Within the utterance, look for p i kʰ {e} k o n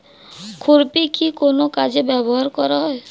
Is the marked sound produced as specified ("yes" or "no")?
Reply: no